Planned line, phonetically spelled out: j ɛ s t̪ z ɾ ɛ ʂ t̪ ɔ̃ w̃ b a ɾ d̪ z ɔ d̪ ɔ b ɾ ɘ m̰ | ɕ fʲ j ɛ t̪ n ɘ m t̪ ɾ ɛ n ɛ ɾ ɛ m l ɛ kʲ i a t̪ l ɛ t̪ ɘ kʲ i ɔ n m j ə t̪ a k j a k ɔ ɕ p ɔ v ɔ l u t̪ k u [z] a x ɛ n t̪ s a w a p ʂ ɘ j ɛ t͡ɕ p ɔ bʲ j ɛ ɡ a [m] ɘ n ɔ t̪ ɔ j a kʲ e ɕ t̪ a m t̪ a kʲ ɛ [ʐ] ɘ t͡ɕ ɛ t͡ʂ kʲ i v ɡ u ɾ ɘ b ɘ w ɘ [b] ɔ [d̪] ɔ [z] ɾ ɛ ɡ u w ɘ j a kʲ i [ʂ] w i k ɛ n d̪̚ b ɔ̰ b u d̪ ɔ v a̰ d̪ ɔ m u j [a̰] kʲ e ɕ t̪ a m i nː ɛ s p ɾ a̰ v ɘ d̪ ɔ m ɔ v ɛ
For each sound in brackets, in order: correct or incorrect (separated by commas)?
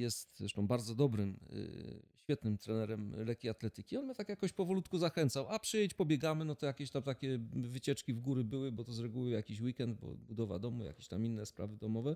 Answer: correct, correct, incorrect, correct, incorrect, correct, incorrect, correct